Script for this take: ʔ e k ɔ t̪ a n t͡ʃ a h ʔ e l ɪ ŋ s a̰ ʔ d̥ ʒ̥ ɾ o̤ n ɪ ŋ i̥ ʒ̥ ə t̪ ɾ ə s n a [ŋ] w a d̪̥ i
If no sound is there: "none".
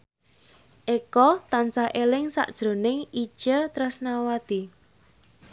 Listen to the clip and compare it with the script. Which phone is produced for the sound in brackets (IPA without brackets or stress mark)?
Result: none